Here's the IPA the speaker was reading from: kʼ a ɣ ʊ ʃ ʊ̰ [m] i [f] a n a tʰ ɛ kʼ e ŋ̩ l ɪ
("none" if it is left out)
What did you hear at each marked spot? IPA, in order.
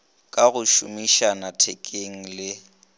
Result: m, ʃ

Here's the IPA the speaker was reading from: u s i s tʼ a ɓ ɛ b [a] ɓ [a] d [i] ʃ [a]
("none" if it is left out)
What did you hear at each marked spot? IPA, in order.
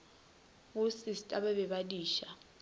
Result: ɛ, a, iː, a

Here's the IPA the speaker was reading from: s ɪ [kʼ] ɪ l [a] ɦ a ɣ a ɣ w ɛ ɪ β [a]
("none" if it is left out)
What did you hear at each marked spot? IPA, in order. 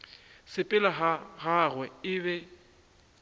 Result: pʼ, a, ɛ

